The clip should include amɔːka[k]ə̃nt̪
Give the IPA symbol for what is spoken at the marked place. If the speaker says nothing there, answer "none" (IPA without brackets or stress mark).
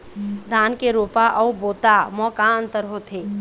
none